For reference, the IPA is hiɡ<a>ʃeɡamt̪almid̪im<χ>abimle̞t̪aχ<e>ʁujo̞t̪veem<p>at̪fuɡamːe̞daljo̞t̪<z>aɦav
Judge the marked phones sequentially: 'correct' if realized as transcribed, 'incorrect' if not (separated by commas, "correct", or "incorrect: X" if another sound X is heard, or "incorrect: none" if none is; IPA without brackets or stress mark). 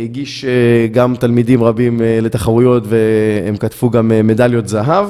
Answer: incorrect: i, incorrect: ʁ, incorrect: a, incorrect: k, correct